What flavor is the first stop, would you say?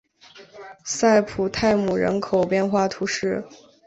aspirated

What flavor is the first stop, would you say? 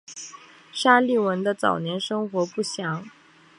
plain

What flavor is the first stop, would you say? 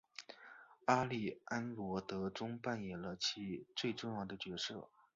plain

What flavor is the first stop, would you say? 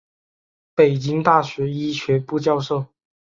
plain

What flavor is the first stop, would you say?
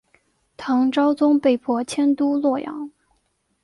aspirated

